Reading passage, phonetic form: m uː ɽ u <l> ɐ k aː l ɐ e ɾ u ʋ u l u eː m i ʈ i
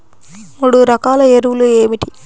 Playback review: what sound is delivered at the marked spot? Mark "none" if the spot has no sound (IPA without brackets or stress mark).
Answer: ɾ